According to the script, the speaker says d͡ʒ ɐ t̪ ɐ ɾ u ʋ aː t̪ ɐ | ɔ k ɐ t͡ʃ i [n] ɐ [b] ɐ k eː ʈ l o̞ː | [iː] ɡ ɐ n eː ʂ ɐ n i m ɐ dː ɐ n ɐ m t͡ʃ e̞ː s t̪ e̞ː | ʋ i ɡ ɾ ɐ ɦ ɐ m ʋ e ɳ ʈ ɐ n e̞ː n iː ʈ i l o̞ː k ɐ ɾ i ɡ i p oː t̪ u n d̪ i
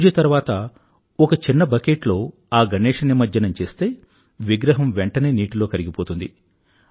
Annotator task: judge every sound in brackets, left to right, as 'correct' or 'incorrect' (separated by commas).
incorrect, correct, incorrect